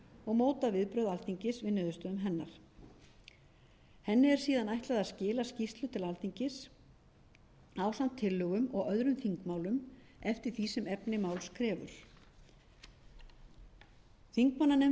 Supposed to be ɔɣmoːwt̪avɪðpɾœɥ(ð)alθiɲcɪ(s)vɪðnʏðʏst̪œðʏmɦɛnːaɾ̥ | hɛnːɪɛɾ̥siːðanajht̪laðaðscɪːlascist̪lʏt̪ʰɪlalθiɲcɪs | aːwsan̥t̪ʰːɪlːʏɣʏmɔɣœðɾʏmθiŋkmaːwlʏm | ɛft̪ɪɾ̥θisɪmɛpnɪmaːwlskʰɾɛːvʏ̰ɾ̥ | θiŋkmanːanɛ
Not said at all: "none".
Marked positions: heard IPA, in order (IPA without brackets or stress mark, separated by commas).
ð, s